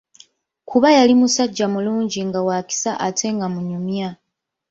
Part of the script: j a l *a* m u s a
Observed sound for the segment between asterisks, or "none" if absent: i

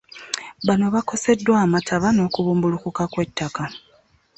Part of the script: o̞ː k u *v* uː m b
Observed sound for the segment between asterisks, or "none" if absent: β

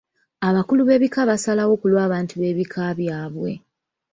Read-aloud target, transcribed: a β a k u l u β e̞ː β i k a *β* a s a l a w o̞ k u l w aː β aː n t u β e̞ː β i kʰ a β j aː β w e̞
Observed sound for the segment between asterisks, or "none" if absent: β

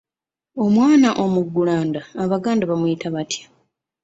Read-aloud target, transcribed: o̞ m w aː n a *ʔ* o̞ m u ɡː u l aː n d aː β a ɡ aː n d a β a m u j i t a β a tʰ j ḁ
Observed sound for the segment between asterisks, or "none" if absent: ʔ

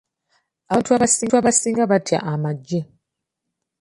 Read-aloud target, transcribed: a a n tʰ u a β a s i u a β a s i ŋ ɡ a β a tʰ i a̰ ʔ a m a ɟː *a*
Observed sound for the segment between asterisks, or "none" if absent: e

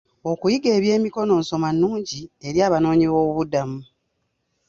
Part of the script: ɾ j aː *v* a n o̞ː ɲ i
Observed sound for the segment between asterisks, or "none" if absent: β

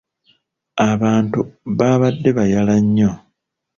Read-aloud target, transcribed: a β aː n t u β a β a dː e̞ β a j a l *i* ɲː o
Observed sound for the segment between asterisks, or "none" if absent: a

